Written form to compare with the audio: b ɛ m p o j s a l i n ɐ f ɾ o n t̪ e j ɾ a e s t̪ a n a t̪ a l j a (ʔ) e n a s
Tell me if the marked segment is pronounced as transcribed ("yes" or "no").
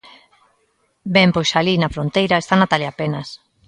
no